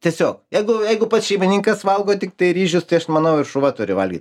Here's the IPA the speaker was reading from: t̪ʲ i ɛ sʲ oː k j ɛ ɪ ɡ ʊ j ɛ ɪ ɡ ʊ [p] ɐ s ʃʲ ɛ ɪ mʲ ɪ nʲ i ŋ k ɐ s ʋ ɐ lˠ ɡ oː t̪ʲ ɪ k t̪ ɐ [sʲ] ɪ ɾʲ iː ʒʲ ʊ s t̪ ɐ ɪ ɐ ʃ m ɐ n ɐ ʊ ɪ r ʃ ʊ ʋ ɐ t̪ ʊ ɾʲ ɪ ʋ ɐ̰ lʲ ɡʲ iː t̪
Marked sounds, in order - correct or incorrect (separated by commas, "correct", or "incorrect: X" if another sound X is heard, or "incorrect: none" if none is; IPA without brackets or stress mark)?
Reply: correct, incorrect: none